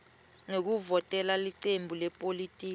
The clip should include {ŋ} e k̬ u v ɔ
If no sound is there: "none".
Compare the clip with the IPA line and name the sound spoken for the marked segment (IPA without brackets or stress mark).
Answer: ŋ